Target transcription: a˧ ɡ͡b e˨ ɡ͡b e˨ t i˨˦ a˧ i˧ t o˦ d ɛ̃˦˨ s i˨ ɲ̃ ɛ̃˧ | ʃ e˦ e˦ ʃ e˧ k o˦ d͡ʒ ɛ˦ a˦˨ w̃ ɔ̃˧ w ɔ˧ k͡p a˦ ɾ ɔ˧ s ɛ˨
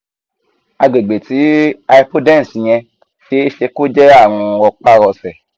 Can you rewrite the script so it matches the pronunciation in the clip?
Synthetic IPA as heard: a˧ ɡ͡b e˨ ɡ͡b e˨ t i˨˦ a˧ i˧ p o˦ d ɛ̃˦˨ s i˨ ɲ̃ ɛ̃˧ | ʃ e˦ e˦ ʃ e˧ k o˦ d͡ʒ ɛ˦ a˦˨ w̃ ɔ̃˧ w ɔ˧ k͡p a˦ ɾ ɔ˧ s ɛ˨

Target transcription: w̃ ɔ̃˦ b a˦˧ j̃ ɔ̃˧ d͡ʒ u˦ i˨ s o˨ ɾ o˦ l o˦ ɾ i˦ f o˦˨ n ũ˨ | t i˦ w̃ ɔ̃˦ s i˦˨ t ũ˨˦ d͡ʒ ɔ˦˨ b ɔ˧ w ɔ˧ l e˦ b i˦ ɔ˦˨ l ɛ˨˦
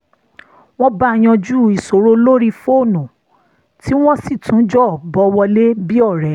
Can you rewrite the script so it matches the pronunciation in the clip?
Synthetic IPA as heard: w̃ ɔ̃˦ b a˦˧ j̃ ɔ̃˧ d͡ʒ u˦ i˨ s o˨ ɾ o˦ l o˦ ɾ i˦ f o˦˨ n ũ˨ | t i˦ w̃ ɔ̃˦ s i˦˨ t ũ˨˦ d͡ʒ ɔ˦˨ b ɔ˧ w ɔ˧ l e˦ b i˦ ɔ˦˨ ɾ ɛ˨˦

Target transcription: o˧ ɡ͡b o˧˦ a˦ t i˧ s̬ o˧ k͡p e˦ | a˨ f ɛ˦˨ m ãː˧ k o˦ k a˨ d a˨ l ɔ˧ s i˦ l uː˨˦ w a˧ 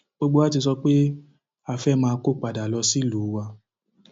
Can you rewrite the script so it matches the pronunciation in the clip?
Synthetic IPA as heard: o˧ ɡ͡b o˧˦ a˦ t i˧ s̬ ɔ˧ k͡p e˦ | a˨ f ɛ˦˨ m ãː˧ k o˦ k͡p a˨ d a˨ l ɔ˧ s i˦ l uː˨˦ w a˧

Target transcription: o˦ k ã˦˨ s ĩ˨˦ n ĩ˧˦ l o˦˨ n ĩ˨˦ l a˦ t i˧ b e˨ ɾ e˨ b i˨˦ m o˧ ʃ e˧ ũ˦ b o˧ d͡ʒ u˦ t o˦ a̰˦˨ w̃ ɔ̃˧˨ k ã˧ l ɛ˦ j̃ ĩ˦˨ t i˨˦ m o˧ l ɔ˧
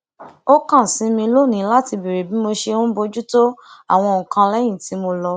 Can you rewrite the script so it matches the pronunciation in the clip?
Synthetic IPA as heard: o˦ k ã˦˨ s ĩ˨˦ m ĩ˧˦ l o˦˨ n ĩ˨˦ l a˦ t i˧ b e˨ ɾ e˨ b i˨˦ m o˧ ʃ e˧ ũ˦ b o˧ d͡ʒ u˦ t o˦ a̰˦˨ w̃ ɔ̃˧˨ k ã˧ l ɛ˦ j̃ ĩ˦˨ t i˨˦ m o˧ l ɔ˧

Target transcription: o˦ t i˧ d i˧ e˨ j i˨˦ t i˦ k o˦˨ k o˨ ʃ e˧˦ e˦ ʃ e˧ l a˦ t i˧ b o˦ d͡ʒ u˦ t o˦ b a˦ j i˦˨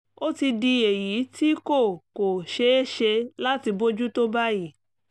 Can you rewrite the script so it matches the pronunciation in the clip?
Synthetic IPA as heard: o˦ t i˧ d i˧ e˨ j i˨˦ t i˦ k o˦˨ k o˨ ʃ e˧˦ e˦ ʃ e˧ l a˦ t i˧ b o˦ d͡ʒ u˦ t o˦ b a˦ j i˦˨

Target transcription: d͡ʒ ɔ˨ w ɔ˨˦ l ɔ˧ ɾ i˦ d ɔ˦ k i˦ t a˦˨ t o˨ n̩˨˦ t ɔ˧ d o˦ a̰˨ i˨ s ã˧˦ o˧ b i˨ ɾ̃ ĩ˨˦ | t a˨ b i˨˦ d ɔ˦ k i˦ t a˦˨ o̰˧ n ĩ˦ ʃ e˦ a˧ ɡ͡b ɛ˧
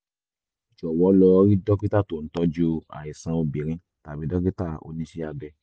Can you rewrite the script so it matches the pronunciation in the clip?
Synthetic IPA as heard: d͡ʒ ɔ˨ w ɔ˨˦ l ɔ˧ ɾ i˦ d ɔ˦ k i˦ t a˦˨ t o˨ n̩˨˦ t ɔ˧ d͡ʒ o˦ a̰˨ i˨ s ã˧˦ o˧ b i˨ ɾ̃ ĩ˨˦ | t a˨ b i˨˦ d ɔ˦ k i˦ t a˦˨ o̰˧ n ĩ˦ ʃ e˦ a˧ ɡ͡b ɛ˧

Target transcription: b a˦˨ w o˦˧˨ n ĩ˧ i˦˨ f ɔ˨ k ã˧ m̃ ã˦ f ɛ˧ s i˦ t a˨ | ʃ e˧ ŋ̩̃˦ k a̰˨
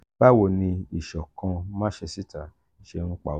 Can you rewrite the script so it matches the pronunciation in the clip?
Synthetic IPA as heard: b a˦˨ w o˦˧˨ n ĩ˧ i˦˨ ʃ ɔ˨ k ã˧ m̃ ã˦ ʃ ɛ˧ s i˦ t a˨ | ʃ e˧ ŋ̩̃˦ k͡p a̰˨

